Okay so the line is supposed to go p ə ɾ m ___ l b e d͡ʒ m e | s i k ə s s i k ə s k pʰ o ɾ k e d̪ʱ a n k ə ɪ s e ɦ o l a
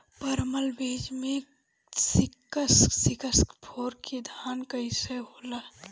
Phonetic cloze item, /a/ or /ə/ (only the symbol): ə